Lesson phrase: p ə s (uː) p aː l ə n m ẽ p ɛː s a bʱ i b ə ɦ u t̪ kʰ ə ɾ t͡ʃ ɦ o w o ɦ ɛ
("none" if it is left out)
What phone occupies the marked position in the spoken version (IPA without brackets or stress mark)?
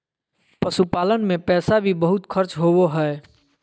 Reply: u